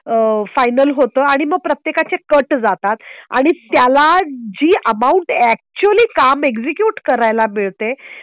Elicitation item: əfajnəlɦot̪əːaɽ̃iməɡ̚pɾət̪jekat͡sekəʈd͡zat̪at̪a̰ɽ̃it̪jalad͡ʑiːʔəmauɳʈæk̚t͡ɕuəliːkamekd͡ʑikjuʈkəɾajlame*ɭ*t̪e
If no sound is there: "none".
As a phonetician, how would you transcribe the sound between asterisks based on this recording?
ɭ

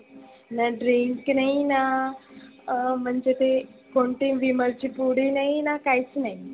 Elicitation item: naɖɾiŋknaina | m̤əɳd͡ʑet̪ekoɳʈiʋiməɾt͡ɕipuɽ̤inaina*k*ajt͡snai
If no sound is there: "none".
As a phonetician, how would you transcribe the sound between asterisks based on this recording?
k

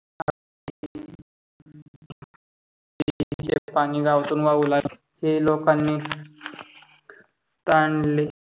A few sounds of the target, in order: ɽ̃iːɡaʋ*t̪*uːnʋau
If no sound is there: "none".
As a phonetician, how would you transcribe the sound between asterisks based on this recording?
t̪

